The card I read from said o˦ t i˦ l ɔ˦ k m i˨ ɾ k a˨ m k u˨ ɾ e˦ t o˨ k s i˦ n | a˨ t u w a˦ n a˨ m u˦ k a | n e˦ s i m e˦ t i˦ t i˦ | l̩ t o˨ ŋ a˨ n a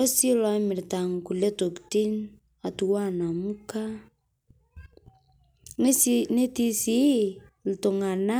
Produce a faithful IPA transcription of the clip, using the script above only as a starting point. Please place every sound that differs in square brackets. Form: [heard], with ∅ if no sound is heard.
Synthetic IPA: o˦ [s] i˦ l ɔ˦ [∅] m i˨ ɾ [t] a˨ [ŋ] k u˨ [l] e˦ t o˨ k [t] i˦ n | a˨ t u w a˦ n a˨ m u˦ k a | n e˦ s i [n] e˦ t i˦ [s] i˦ | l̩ t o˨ ŋ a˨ n a